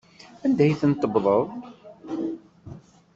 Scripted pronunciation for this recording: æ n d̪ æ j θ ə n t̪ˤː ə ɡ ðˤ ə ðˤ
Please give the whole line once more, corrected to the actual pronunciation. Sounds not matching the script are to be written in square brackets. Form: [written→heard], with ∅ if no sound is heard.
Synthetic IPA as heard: æ n d̪ æ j θ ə n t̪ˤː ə [ɡ→b] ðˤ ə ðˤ